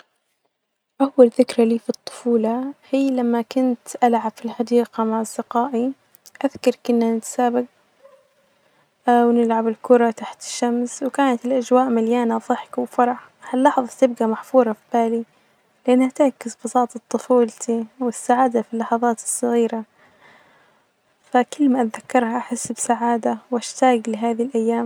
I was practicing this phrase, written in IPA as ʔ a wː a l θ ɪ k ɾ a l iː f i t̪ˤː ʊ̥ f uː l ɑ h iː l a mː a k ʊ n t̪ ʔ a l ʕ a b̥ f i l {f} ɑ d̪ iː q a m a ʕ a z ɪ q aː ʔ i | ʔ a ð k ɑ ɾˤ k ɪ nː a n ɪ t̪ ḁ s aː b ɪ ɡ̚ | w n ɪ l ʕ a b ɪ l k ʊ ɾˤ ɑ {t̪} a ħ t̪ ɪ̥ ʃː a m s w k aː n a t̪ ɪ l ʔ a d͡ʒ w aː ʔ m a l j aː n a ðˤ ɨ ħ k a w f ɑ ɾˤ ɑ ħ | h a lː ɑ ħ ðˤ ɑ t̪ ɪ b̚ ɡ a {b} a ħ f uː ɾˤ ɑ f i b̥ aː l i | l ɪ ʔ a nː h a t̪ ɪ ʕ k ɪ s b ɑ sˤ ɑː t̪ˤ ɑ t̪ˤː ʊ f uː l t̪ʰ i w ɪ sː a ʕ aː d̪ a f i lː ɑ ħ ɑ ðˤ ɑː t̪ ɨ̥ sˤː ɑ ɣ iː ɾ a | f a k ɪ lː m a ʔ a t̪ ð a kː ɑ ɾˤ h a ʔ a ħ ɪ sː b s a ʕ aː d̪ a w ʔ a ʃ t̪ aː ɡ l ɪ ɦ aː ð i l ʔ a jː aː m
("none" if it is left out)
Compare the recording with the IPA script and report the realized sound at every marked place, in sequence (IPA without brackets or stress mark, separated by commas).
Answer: ħ, t̪, m